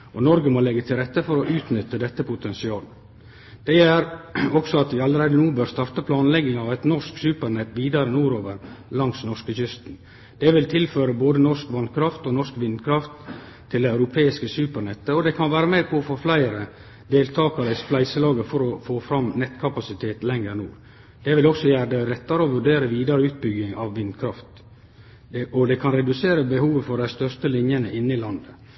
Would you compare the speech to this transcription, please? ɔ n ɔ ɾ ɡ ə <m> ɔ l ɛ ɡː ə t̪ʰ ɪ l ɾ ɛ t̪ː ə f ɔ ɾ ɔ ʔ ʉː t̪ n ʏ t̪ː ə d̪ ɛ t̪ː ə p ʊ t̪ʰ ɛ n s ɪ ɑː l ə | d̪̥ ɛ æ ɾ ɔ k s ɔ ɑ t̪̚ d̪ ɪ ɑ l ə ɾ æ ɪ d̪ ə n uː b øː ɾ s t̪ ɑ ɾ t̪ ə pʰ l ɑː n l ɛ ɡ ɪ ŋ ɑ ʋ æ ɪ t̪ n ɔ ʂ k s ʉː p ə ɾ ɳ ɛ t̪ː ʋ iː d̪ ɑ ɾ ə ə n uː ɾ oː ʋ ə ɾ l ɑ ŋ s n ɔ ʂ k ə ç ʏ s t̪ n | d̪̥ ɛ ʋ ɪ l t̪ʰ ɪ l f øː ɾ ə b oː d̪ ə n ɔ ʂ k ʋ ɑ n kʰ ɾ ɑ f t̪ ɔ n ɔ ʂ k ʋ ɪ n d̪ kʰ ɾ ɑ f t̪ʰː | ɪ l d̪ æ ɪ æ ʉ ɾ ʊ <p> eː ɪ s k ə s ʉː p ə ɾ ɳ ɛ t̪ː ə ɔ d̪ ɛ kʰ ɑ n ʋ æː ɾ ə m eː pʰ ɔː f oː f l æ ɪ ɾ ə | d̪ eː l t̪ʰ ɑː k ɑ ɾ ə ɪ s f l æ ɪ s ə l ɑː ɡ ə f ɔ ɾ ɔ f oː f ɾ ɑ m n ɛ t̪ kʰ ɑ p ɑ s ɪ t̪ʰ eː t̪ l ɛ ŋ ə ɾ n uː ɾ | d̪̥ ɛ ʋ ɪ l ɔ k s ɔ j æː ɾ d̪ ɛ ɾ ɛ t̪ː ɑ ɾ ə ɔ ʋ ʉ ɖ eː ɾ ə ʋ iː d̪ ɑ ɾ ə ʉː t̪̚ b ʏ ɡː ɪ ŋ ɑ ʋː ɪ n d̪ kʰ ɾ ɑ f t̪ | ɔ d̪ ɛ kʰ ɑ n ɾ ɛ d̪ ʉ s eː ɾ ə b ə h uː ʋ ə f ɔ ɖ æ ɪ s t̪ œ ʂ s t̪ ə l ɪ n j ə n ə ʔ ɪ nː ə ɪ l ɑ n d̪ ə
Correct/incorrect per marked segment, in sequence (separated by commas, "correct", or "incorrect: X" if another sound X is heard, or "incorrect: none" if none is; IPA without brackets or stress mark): correct, incorrect: pʰ